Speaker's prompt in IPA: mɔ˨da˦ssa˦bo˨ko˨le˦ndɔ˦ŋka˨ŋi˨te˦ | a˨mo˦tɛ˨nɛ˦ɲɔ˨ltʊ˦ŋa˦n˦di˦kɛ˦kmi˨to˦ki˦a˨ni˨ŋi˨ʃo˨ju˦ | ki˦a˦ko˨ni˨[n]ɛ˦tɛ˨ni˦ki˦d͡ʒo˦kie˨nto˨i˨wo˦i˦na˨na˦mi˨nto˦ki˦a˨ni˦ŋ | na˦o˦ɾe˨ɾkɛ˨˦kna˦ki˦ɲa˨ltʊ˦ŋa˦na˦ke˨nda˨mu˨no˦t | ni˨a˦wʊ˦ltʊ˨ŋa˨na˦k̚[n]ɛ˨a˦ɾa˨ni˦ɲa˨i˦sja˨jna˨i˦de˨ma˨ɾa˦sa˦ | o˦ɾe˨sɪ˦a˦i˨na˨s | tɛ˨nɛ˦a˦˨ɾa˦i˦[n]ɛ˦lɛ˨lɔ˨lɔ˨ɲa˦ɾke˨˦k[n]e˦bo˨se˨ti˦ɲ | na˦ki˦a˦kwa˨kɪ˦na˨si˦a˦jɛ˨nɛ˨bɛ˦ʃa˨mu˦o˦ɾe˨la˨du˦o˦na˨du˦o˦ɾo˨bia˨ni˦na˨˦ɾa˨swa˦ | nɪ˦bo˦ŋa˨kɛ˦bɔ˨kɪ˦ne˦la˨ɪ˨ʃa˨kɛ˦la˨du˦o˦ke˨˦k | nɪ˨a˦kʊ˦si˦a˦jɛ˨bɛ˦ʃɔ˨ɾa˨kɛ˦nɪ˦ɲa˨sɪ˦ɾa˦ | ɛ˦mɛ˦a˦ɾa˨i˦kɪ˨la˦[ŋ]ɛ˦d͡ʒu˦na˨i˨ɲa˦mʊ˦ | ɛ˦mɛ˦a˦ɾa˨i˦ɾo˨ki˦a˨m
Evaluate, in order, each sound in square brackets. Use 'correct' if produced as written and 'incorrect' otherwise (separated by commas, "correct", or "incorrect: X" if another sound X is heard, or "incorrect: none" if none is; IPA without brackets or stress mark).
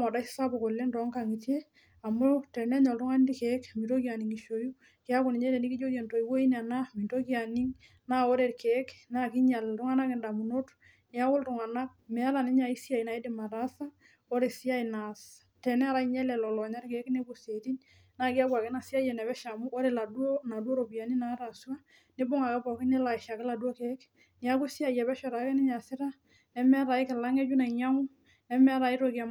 incorrect: ɲ, incorrect: m, incorrect: ɲ, correct, correct